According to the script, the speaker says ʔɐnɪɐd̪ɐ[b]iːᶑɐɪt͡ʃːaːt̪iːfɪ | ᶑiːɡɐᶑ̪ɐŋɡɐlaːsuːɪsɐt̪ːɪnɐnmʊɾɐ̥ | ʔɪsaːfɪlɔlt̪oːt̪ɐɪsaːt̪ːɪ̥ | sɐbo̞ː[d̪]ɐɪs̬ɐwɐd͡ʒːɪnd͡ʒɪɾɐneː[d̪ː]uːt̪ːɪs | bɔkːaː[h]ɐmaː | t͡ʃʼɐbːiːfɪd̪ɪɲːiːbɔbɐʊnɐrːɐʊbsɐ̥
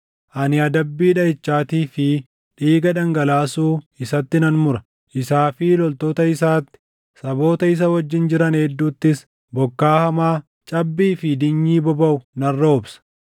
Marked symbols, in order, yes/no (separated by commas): no, no, yes, yes